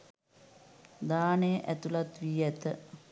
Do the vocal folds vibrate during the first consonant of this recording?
yes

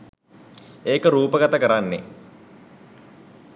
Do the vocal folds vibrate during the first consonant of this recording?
no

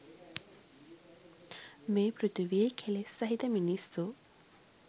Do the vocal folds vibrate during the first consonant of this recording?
yes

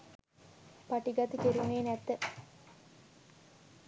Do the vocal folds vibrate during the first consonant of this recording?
no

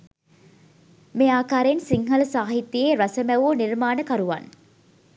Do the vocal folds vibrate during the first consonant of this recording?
yes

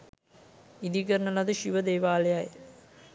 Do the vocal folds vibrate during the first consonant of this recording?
yes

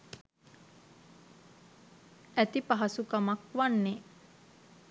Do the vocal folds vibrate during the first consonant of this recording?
no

